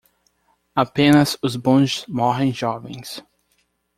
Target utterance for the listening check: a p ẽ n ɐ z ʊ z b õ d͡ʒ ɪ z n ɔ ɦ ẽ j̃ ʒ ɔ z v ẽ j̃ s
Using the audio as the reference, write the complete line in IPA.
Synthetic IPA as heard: a p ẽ n ɐ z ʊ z b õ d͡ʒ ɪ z m ɔ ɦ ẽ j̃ ʒ ɔ v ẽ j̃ s